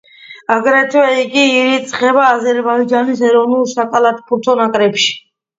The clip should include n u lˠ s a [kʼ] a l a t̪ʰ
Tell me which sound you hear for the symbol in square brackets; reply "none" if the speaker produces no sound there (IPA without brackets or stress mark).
kʼ